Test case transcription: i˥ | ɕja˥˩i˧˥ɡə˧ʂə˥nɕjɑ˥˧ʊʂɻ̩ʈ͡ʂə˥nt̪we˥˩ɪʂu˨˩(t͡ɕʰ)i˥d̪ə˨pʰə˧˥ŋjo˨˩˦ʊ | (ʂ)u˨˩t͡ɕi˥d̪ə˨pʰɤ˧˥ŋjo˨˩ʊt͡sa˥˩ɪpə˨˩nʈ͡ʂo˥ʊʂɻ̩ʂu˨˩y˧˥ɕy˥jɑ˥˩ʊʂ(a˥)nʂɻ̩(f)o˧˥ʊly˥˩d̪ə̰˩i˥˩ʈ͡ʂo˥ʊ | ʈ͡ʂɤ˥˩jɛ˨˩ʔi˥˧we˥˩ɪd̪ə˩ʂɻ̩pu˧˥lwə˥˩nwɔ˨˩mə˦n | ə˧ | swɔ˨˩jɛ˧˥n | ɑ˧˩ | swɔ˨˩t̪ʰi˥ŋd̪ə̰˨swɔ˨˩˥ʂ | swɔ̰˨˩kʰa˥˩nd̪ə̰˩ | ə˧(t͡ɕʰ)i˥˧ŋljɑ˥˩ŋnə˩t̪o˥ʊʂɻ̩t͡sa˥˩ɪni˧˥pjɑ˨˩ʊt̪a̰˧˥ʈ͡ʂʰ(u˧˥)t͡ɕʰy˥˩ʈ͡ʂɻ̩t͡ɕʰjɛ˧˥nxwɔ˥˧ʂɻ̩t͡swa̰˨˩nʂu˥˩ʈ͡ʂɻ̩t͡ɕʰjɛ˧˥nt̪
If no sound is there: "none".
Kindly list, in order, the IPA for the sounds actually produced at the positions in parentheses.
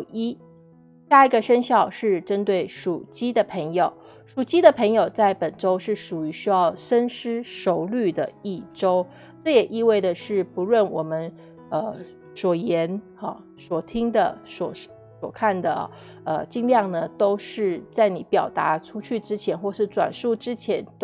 t͡ɕ, ʂ, ə˥, ʂ, t͡ɕ, u˥

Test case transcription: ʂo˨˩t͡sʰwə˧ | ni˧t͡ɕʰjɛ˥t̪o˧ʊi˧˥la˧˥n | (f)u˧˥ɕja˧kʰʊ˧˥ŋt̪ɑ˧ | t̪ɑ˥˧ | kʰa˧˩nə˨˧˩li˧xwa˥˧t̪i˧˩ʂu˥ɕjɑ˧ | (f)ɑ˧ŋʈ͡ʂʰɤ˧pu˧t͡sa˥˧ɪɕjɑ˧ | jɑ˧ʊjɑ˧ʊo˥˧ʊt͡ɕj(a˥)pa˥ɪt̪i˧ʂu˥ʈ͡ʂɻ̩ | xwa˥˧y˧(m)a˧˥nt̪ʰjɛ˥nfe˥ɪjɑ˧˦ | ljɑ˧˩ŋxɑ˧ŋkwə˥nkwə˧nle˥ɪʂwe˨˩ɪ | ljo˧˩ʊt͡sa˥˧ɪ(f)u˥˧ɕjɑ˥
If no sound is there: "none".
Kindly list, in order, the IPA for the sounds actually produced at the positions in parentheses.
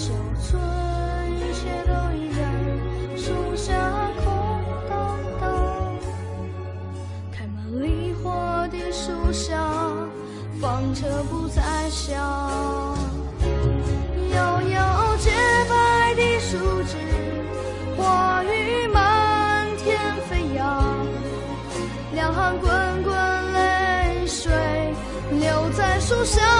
ʂ, f, ɛ˥, m, ʂ

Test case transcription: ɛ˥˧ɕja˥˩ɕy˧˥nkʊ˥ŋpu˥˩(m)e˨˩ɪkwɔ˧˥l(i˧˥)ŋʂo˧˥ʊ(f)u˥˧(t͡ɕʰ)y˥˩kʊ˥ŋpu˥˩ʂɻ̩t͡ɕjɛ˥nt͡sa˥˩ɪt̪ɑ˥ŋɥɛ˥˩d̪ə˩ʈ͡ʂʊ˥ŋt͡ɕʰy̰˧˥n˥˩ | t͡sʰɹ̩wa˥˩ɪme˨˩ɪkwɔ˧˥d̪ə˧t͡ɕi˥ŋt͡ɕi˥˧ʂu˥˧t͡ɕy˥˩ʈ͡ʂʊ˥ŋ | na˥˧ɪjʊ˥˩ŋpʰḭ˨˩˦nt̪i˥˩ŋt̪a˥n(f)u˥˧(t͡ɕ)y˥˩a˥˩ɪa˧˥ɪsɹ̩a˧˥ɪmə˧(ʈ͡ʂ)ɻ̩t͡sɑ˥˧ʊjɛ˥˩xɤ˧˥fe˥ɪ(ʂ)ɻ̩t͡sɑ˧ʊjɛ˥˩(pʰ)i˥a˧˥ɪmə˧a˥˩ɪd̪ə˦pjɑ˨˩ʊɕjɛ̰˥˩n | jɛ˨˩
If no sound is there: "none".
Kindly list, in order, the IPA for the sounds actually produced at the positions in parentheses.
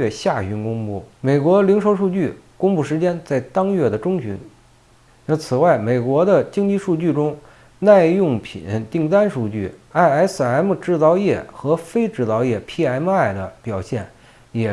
m, i˧˥, ʂ, t͡ɕ, ʂ, t͡ɕ, ʈ͡ʂ, ʈ͡ʂ, pʰ

